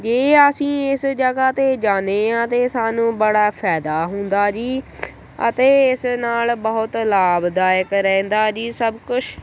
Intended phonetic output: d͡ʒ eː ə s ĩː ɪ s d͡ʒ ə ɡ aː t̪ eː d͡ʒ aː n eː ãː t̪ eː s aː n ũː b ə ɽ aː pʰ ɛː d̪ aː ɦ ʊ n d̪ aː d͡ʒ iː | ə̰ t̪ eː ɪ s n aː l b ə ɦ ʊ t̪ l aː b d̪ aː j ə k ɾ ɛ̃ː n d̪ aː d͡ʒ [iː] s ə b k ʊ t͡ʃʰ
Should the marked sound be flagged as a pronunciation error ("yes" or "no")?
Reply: no